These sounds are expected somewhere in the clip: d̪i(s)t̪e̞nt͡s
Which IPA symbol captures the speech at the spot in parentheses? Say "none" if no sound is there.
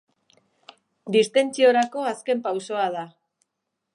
s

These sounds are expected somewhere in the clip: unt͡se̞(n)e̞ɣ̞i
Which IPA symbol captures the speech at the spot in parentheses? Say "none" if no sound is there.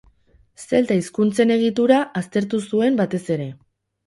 n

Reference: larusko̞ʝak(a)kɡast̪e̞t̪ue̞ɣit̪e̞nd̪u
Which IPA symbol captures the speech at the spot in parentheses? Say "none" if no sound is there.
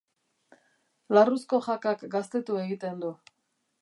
a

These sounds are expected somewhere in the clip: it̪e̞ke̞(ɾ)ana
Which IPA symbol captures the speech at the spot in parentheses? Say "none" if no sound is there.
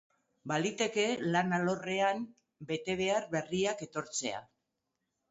l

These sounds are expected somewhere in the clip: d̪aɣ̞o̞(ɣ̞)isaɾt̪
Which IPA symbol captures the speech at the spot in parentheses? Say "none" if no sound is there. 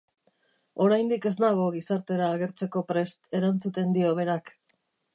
ɣ̞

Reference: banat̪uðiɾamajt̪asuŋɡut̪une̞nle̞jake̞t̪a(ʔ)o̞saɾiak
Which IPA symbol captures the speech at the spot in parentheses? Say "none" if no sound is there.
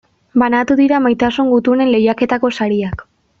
k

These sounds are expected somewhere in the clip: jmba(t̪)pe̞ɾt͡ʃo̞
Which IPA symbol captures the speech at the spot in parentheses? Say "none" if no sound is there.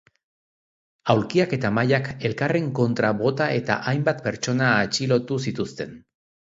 t̪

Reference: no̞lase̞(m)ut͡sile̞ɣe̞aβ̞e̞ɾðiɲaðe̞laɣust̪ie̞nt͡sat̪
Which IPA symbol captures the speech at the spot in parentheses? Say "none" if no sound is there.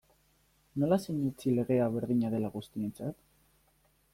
ɲ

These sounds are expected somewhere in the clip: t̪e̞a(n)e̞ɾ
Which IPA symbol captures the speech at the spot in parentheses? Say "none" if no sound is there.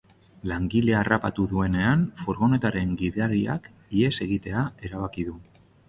none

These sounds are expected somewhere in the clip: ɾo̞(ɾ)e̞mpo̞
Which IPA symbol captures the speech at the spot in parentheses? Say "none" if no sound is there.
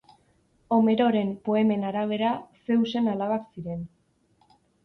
ɾ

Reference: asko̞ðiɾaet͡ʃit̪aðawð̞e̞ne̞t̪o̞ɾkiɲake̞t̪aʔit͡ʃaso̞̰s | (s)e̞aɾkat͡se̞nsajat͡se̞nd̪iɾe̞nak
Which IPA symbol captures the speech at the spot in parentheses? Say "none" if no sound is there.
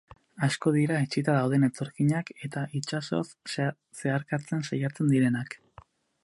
s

